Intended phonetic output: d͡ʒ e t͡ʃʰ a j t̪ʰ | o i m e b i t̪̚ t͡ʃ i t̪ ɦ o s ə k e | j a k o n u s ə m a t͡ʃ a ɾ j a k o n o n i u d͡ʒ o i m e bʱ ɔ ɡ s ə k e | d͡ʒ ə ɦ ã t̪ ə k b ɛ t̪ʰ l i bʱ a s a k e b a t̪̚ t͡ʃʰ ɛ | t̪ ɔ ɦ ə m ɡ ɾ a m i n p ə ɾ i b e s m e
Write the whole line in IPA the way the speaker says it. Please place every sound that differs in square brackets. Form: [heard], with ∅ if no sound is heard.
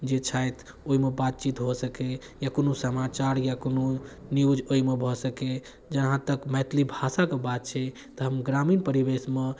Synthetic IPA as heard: d͡ʒ e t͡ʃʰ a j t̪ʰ | o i m e b [a] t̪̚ t͡ʃ i t̪ ɦ o s ə k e | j a k o n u s ə m a t͡ʃ a ɾ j a k o n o n i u d͡ʒ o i m e bʱ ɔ [∅] s ə k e | d͡ʒ ə ɦ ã t̪ ə k [m] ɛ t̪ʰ l i bʱ a s a k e b a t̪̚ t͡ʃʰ ɛ | t̪ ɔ ɦ ə m ɡ ɾ a m i n p ə ɾ i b e s m e

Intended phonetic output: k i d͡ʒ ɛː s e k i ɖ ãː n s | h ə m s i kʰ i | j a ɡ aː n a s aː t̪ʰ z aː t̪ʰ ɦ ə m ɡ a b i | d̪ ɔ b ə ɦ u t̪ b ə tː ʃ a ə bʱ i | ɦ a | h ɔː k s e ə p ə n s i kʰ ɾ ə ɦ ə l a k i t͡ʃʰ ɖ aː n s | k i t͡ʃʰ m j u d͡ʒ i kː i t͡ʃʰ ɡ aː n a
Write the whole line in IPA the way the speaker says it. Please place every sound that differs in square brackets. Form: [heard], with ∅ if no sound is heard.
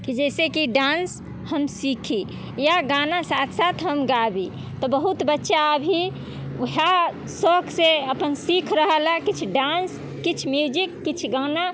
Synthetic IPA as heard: k i d͡ʒ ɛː s e k i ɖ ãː n s | h ə m s i kʰ i | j a ɡ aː n a s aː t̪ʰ [s] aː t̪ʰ ɦ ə m ɡ a b i | [t̪] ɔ b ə ɦ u t̪ b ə tː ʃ a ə bʱ i | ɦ a | [s] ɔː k s e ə p ə n s i kʰ ɾ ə ɦ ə l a k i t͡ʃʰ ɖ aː n s | k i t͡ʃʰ m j u d͡ʒ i kː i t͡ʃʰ ɡ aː n a

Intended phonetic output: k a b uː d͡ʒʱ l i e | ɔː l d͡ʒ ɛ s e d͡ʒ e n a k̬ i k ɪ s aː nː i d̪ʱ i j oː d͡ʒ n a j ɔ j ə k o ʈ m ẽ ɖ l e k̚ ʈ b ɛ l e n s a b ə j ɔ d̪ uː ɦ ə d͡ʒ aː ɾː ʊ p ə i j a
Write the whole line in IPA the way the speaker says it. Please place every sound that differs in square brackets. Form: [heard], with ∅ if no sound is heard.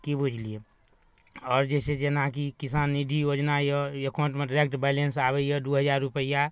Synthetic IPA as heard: k [i] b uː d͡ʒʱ l i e | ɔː [ɾ] d͡ʒ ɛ s e d͡ʒ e n a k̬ i k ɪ s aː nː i d̪ʱ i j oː d͡ʒ n a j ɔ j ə k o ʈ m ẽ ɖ [ɾ] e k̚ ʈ b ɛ l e n s a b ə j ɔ d̪ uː ɦ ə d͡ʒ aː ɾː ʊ p ə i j a

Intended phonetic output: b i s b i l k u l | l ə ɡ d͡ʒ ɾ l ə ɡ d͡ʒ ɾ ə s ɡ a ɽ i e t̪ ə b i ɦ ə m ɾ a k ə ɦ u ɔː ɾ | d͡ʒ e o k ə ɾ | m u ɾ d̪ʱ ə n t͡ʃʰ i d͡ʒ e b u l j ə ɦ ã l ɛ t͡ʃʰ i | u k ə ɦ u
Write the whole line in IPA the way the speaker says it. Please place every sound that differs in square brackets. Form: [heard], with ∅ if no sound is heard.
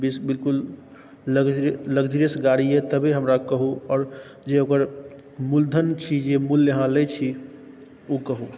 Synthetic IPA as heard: b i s b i l k u l | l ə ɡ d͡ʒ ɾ l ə ɡ d͡ʒ ɾ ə s ɡ a ɽ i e t̪ ə b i ɦ ə m ɾ a k ə ɦ u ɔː ɾ | d͡ʒ e o k ə ɾ | m u [l] d̪ʱ ə n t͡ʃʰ i d͡ʒ e [m] u l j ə ɦ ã l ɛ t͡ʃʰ i | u k ə ɦ u

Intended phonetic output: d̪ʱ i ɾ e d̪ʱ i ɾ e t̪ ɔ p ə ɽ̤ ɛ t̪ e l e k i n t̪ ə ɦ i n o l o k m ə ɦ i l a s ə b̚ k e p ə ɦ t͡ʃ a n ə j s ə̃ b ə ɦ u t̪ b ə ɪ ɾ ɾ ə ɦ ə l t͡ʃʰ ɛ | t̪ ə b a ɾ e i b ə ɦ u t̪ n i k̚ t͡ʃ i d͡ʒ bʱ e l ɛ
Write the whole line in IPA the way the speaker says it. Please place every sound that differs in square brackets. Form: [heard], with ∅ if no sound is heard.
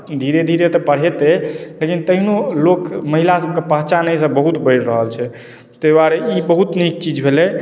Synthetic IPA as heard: d̪ʱ i ɾ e d̪ʱ i ɾ e t̪ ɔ p ə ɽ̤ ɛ t̪ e l e k i n t̪ ə ɦ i n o l o k m ə ɦ i l a s ə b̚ k e p ə ɦ t͡ʃ a n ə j s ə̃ b ə ɦ u t̪ b ə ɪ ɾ ɾ ə ɦ ə l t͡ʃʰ ɛ | t̪ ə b a ɾ e i b ə ɦ u t̪ n i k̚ t͡ʃ i d͡ʒ bʱ e l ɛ

